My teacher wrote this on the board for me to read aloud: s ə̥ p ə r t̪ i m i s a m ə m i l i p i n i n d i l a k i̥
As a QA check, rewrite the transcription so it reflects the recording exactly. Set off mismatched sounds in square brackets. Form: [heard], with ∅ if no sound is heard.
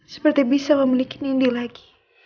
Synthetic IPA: s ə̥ p ə r t̪ i [b] i s a m ə m i l i [k] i n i n d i l a [ɡ] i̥